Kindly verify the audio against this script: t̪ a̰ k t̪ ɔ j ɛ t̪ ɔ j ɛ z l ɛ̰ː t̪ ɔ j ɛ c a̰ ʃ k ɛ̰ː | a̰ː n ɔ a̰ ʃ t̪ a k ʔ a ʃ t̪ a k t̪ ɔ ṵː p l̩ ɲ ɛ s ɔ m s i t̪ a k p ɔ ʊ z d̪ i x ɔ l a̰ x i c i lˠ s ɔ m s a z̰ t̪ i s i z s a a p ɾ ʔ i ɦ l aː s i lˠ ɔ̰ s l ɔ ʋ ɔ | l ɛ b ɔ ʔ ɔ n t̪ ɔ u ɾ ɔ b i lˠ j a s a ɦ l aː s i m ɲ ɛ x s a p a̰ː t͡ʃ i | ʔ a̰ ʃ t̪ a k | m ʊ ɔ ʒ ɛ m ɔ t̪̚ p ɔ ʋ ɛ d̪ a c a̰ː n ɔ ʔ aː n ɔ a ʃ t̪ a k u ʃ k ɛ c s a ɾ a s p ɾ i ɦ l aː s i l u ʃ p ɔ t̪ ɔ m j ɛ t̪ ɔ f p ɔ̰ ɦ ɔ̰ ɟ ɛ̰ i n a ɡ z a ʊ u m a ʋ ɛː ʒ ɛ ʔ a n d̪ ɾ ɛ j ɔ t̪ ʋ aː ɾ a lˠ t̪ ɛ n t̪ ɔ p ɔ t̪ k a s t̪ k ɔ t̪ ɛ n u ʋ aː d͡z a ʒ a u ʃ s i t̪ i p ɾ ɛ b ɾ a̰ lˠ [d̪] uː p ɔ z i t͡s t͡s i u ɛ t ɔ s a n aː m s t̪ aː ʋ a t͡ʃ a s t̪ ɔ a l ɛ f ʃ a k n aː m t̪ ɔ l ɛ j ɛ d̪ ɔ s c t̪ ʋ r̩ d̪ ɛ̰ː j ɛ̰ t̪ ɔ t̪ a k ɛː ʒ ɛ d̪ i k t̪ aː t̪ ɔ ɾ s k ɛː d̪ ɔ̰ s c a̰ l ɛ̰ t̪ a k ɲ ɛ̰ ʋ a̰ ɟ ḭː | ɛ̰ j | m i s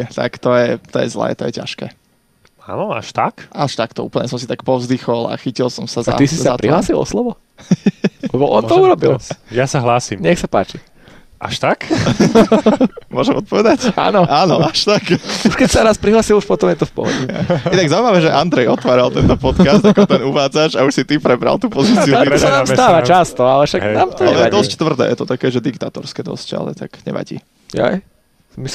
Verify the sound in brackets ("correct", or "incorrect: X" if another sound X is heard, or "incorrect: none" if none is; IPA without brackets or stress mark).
incorrect: t̪